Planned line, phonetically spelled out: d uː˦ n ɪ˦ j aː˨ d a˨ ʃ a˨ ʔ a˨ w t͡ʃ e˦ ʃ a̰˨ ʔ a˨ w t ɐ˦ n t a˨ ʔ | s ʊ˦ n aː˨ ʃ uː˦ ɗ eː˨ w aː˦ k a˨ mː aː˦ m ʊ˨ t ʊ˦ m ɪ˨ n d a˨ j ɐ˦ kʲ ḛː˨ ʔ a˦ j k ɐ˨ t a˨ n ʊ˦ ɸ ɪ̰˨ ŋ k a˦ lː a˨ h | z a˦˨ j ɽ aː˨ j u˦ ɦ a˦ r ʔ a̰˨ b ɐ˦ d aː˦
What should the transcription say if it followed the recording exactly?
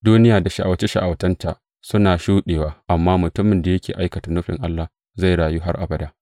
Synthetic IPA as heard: d uː˦ n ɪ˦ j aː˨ d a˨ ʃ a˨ ʔ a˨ w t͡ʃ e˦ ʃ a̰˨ ʔ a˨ w t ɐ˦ n t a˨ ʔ | s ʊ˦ n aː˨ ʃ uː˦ ɗ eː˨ w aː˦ ʔ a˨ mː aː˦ m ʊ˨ t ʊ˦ m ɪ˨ n d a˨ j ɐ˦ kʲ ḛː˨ ʔ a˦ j k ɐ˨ t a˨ n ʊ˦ ɸ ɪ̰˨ ŋ ʔ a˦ lː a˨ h | z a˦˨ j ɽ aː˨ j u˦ ɦ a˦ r ʔ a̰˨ b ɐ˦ d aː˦